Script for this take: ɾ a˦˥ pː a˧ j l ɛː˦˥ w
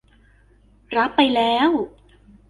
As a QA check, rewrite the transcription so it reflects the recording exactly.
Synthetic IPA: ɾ a˦˥ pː a˧ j l ɛː˦˥ w